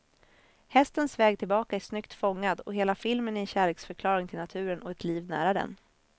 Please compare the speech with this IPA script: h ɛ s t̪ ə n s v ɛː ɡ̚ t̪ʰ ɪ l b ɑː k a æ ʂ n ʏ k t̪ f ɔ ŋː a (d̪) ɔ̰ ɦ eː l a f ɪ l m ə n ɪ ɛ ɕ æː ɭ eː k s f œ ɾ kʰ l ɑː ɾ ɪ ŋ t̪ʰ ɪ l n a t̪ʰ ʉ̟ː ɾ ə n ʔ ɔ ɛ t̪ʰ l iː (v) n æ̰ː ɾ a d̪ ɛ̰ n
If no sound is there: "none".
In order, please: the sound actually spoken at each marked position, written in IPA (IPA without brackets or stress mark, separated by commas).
d̪, v